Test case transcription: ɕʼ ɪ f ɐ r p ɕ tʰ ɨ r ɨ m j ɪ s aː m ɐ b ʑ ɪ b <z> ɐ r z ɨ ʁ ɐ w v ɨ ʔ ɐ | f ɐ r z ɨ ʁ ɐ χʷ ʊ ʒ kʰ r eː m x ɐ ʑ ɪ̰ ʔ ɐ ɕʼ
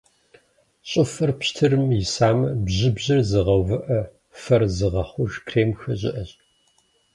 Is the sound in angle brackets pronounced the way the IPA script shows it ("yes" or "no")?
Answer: no